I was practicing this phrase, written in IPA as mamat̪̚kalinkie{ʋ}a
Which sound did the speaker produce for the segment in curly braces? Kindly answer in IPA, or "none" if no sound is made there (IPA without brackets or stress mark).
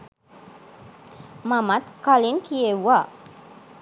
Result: w